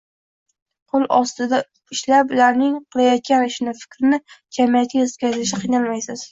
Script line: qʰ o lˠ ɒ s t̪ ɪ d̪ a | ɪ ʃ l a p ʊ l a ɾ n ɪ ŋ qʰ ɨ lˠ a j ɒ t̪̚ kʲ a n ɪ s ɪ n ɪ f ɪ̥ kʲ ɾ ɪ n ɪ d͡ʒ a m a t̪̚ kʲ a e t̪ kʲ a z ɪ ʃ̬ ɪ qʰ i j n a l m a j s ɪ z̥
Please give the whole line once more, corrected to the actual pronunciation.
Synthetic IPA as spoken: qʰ o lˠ ɒ s t̪ ɪ d̪ a | ɪ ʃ l a p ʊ l a ɾ n ɪ ŋ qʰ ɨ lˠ a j ɒ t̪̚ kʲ a n ɪ ʃ ɪ n ɪ f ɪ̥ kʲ ɾ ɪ n ɪ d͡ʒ a m a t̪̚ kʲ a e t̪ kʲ a z ɪ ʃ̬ ɪ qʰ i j n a l m a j s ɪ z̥

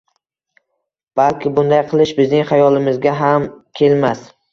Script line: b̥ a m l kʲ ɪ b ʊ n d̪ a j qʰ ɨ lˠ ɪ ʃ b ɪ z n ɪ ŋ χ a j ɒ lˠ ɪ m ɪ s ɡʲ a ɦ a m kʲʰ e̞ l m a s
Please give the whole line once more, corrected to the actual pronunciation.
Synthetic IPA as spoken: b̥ a l kʲ ɪ b ʊ n d̪ a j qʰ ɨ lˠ ɪ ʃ b ɪ z n ɪ ŋ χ a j ɒ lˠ ɪ m ɪ z ɡʲ a ɦ a m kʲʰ e̞ l m a s

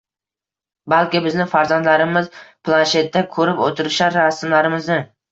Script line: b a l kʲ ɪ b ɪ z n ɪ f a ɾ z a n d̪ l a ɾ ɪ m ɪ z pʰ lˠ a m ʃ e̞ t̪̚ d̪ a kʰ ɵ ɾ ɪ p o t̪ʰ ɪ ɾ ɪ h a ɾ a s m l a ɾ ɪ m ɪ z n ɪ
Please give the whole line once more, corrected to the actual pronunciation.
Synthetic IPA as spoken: b a l kʲ ɪ b ɪ z n ɪ f a ɾ z a n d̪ l a ɾ ɪ m ɪ z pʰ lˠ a n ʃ e̞ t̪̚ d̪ a kʰ ɵ ɾ ɪ p o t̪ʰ ɪ ɾ ɪ ʃ a ɾ a s m l a ɾ ɪ m ɪ z n ɪ

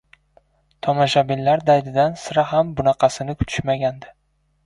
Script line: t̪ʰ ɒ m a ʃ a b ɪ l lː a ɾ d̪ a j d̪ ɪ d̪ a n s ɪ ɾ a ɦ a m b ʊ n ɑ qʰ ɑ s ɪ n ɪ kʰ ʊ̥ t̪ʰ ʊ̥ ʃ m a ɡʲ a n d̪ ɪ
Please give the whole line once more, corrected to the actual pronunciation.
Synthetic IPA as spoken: t̪ʰ ɒ m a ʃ a b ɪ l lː a ɾ d̪ a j d̪ ɪ d̪ a n s ɪ ɾ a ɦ a m b ʊ n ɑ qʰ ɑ s ɪ n ɪ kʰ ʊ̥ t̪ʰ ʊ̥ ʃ m a ɡʲ a n d̪ ɪ

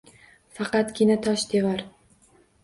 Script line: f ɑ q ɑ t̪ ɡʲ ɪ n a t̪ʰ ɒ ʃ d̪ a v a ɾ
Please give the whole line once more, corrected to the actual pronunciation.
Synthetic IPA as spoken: f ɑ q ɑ t̪ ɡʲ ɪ n a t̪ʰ ɒ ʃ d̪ e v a ɾ

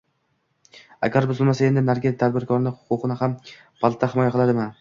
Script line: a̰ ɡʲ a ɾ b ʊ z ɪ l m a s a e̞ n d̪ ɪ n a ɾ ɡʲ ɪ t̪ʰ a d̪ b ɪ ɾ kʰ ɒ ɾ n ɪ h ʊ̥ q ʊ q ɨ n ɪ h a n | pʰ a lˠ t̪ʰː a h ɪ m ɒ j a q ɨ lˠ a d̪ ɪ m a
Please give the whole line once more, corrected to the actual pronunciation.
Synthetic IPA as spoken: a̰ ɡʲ a ɾ b ʊ z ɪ l m a s a e̞ n d̪ ɪ n a ɾ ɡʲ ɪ t̪ʰ a d̪ b ɪ ɾ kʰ ɒ ɾ n ɪ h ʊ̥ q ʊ q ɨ n ɪ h a m | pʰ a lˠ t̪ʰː a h ɪ m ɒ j a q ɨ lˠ a d̪ ɪ m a

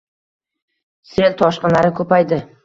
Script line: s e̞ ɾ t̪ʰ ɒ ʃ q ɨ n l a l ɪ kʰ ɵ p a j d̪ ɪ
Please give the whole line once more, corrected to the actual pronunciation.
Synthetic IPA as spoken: s e̞ l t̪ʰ ɒ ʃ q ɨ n l a ɾ ɪ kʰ ɵ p a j d̪ ɪ

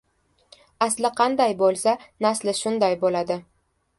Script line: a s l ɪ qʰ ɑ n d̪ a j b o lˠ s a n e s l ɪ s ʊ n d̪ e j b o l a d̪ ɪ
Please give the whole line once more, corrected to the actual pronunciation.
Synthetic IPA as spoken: a s l ɪ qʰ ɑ n d̪ a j b o lˠ s a n a s l ɪ ʃ ʊ n d̪ a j b o l a d̪ ɪ

